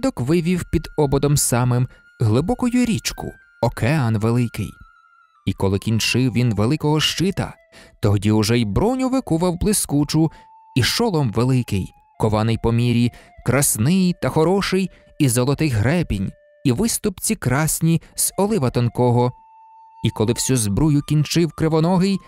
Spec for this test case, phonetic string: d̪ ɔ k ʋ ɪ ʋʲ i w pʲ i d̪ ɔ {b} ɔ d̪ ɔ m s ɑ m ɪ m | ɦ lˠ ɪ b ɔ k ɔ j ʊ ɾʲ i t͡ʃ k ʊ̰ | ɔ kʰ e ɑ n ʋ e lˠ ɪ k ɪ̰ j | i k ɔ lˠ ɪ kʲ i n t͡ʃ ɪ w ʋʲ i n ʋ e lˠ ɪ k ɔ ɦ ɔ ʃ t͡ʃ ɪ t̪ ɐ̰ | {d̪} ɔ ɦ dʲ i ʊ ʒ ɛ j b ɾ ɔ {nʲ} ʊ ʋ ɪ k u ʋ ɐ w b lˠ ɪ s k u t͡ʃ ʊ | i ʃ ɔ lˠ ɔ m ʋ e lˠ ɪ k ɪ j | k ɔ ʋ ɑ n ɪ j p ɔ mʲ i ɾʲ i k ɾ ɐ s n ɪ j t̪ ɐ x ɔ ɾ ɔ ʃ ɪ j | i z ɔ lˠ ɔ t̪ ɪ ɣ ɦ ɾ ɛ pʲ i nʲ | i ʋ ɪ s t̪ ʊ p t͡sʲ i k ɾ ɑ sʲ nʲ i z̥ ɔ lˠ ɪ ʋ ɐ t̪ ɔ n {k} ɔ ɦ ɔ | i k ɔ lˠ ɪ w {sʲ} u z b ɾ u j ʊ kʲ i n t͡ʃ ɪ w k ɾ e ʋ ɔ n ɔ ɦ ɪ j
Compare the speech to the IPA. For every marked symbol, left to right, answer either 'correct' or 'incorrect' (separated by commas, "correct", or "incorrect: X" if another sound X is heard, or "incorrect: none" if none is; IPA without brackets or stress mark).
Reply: correct, incorrect: t̪, correct, correct, correct